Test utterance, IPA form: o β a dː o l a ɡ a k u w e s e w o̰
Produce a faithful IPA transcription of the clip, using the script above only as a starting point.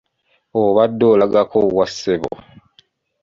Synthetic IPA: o β a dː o l a ɡ a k o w a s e β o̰